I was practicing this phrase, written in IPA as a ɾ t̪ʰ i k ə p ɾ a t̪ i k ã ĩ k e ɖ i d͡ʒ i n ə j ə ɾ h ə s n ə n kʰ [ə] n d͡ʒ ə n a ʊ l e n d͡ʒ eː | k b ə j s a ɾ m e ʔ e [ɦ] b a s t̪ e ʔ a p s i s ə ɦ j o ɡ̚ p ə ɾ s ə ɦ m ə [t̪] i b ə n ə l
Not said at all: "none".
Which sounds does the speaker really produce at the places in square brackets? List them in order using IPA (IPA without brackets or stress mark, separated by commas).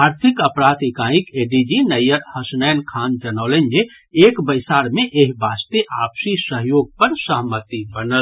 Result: a, ɦ, t̪